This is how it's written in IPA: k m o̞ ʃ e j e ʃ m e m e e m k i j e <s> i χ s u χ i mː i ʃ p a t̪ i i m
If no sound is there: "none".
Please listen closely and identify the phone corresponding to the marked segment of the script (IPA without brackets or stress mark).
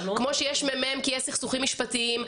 s